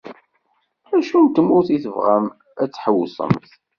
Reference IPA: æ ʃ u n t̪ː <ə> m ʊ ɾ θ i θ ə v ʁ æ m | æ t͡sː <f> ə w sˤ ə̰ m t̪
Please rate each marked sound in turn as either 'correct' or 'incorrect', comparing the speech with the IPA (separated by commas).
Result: correct, incorrect